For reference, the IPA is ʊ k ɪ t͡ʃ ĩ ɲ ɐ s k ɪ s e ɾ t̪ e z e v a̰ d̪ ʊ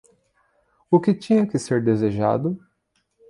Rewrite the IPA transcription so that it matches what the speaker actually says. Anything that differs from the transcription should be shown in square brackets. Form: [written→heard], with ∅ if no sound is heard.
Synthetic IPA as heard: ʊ k ɪ t͡ʃ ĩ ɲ ɐ [s→∅] k ɪ s e ɾ [t̪→d̪] e z e [v→ʒ] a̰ d̪ ʊ